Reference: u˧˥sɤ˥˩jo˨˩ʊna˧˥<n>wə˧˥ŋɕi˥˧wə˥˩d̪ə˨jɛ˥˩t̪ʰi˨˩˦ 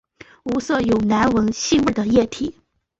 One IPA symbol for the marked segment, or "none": n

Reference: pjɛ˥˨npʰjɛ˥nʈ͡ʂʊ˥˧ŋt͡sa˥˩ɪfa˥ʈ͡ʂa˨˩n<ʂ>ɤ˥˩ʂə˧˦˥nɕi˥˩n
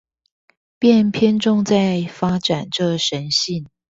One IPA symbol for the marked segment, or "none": ʈ͡ʂ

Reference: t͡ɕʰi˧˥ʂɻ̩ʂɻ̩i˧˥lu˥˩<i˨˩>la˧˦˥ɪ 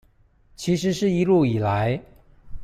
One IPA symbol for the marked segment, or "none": i˨˩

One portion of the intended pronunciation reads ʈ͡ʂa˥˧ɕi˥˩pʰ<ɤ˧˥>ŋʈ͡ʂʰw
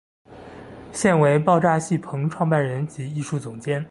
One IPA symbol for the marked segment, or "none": ɤ˧˥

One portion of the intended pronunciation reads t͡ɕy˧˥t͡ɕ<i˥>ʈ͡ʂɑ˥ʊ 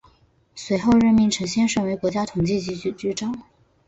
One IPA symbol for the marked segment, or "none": y˥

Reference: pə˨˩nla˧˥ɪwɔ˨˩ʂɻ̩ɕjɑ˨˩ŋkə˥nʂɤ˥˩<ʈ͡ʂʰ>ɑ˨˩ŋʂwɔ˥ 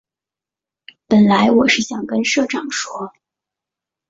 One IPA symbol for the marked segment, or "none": ʈ͡ʂ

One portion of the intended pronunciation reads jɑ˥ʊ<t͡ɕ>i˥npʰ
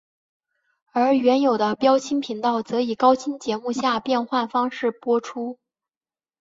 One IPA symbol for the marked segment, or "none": t͡ɕʰ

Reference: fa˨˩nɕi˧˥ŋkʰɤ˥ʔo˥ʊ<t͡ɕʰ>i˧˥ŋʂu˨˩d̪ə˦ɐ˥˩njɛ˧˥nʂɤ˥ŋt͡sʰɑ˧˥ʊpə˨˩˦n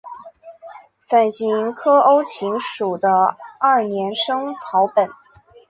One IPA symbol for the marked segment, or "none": t͡ɕʰ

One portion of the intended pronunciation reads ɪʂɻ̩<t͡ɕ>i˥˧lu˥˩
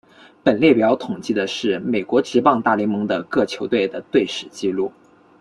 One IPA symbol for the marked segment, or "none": t͡ɕ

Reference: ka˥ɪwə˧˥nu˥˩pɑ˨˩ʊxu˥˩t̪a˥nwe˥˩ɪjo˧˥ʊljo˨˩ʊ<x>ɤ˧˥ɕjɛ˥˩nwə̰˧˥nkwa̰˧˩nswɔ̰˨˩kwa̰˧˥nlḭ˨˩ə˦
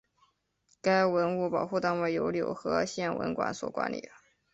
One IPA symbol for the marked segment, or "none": x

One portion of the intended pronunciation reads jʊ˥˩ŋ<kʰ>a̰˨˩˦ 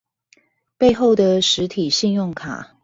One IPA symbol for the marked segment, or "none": kʰ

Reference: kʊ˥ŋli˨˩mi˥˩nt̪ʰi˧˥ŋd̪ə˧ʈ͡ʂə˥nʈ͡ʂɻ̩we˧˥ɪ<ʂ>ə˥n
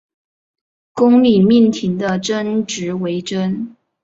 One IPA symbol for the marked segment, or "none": ʈ͡ʂ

